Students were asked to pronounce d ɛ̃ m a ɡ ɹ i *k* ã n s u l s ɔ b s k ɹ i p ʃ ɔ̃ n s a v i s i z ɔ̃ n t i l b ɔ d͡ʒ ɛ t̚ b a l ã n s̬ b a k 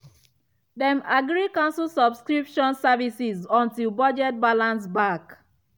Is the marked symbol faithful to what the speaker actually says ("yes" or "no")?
yes